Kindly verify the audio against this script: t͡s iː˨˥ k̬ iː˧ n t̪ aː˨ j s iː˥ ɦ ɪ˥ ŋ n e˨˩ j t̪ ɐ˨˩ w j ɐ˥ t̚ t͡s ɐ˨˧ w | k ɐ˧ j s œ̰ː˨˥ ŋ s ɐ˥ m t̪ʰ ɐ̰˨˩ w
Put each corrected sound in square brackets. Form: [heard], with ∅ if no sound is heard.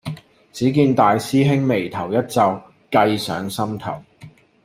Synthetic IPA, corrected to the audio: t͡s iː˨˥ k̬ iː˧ n t̪ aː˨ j s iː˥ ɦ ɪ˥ ŋ [m] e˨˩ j [t̪ʰ] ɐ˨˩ w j ɐ˥ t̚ t͡s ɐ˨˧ w | k ɐ˧ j s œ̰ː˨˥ ŋ s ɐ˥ m t̪ʰ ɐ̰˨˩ w